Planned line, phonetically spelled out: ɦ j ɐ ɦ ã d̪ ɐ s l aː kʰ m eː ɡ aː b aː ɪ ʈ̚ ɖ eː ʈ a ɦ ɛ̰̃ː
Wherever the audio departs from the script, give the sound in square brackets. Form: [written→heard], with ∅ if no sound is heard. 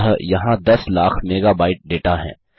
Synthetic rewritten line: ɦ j ɐ ɦ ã d̪ ɐ s l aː kʰ m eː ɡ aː b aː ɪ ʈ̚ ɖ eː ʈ a ɦ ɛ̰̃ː

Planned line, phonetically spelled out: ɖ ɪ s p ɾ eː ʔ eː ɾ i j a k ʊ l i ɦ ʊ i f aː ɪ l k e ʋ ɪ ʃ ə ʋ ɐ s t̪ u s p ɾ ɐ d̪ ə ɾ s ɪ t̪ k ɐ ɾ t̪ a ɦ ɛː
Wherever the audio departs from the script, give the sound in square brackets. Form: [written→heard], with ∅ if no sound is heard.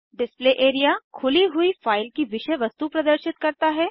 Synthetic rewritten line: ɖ ɪ s p [ɾ→l] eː ʔ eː ɾ i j a [k→kʰ] ʊ l i ɦ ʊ i f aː ɪ l k [e→i] ʋ ɪ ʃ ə ʋ ɐ s t̪ u [s→∅] p ɾ ɐ d̪ ə ɾ [s→ʃ] ɪ t̪ k ɐ ɾ t̪ a ɦ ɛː

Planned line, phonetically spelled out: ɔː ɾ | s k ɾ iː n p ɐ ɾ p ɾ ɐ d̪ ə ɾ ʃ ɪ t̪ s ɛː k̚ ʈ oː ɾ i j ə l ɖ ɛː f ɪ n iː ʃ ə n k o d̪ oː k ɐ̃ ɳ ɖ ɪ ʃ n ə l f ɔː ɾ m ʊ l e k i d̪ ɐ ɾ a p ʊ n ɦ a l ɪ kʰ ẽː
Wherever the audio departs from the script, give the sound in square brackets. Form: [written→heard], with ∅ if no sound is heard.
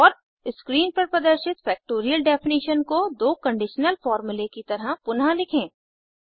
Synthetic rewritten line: ɔː ɾ | s k ɾ iː n p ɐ ɾ p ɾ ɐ d̪ ə ɾ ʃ ɪ t̪ [s→f] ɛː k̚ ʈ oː ɾ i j ə l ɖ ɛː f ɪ n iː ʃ ə n k o d̪ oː k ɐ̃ ɳ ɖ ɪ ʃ n ə l f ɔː ɾ m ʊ l e k i [d̪→t̪] ɐ ɾ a p ʊ n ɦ a l ɪ kʰ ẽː

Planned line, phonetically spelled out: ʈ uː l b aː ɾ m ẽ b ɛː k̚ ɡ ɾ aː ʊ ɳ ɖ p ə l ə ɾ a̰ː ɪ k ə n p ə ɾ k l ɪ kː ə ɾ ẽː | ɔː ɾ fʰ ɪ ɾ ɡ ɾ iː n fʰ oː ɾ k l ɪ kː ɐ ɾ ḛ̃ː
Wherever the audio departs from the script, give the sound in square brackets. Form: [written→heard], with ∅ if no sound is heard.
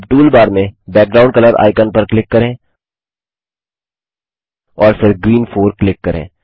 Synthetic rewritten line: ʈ uː l b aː ɾ m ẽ b ɛː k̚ ɡ ɾ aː ʊ ɳ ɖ [p→k] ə l ə ɾ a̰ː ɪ k ə n p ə ɾ k l ɪ kː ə ɾ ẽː | ɔː ɾ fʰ ɪ ɾ ɡ ɾ iː n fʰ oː ɾ k l ɪ kː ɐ ɾ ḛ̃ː

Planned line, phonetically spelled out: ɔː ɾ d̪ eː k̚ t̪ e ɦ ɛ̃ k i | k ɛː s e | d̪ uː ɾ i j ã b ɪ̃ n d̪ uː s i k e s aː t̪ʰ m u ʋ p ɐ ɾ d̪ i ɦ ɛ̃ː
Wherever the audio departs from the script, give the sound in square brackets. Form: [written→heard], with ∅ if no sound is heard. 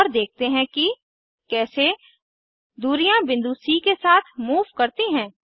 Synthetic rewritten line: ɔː ɾ d̪ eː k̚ t̪ e ɦ ɛ̃ k i | k ɛː s e | d̪ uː ɾ i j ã b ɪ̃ n d̪ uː s i k e s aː t̪ʰ m [u→uː] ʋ [p→k] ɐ ɾ [d̪→t̪] i ɦ ɛ̃ː

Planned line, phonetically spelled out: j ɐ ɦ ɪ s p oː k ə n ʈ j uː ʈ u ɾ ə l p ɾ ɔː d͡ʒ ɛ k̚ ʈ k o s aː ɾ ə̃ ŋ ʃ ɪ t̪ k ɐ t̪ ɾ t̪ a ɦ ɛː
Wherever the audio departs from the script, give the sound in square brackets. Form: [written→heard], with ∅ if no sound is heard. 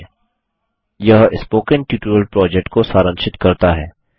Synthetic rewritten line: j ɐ ɦ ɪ s p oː k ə n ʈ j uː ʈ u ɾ ə l p ɾ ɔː d͡ʒ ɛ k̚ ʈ k o s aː ɾ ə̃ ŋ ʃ ɪ t̪ k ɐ [t̪→∅] ɾ t̪ a ɦ ɛː

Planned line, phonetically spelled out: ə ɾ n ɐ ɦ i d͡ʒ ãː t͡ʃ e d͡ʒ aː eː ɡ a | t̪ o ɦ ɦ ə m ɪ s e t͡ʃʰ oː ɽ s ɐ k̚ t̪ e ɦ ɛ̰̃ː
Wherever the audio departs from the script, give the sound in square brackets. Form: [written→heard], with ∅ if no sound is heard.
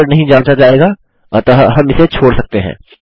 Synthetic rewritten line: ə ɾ n ɐ ɦ [i→ĩ] d͡ʒ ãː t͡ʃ [e→a] d͡ʒ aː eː ɡ a | t̪ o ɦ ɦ [ə→ɐ] m ɪ s e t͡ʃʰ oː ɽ s ɐ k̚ t̪ e ɦ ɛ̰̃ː

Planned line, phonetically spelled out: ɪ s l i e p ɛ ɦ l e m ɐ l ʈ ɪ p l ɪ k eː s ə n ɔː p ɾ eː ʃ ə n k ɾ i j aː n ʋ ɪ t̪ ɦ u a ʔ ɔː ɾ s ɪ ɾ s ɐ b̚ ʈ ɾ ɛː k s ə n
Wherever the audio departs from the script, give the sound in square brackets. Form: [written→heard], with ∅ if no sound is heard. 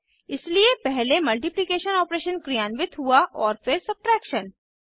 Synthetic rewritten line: ɪ s l i e p ɛ ɦ l e m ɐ l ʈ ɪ p l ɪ k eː [s→ʃ] ə n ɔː p ɾ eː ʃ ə n k ɾ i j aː n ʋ ɪ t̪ ɦ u a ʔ ɔː ɾ [s→f] ɪ ɾ s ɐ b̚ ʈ ɾ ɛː k [s→ʃ] ə n

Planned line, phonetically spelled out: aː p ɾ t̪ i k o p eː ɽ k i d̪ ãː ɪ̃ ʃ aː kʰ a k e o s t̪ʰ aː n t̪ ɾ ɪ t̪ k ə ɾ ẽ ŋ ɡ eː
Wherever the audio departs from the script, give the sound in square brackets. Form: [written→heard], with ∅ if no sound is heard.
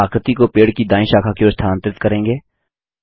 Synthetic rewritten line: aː [p→k] ɾ t̪ i k o p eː ɽ k i d̪ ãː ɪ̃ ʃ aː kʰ a k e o s t̪ʰ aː n t̪ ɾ ɪ t̪ k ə ɾ [ẽ→ẽː] ŋ ɡ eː

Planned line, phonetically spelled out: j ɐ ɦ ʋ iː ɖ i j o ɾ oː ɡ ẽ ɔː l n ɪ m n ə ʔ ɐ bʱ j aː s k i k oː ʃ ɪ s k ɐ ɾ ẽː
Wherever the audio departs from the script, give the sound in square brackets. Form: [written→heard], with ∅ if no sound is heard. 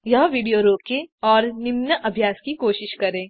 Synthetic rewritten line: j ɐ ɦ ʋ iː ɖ i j o ɾ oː [ɡ→k] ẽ ɔː [l→ɾ] n ɪ m n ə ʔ ɐ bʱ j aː s k i k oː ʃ ɪ [s→ʃ] k ɐ ɾ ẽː

